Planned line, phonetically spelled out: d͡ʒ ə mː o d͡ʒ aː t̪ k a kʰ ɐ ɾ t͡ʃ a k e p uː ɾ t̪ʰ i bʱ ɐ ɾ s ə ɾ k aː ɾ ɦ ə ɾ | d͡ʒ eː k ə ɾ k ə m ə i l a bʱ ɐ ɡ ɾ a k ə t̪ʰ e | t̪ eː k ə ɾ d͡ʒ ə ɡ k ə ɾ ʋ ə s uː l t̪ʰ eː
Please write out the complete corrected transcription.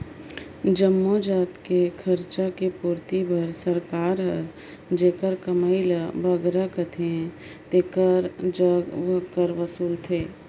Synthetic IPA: d͡ʒ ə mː o d͡ʒ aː t̪ k e kʰ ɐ ɾ t͡ʃ a k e p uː ɾ t̪ i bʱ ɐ ɾ s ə ɾ k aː ɾ ɦ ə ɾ | d͡ʒ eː k ə ɾ k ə m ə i l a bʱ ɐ ɡ ɾ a k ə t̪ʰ e | t̪ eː k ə ɾ d͡ʒ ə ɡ k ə ɾ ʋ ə s uː l t̪ʰ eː